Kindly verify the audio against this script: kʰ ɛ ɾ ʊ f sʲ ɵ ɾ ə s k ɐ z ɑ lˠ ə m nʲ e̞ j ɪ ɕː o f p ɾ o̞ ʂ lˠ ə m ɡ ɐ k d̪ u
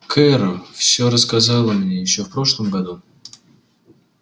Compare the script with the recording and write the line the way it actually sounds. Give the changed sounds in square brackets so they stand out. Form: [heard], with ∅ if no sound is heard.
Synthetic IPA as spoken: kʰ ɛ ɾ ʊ f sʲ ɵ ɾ ə s k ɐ z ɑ lˠ ə m nʲ e̞ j ɪ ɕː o f p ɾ o̞ ʂ lˠ ə m ɡ ɐ [∅] d̪ u